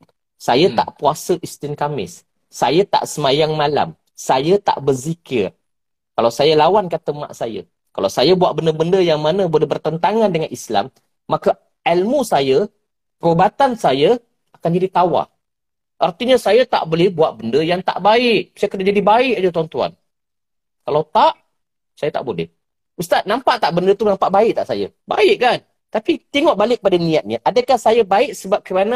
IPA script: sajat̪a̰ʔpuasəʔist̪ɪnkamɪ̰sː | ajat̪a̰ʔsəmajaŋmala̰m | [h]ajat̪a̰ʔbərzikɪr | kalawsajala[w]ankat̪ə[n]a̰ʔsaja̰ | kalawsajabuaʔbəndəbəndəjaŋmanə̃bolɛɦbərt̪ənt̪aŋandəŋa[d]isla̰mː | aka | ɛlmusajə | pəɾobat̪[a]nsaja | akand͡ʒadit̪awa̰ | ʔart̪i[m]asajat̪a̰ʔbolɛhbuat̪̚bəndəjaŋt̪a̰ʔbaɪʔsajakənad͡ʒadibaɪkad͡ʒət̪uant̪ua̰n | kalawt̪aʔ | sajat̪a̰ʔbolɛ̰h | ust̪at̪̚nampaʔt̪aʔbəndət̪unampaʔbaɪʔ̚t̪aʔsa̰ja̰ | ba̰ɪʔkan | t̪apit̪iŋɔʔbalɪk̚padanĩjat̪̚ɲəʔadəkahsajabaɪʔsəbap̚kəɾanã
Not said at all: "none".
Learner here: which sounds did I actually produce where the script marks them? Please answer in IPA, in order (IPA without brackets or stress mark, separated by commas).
s, w, m, n, a, ɲ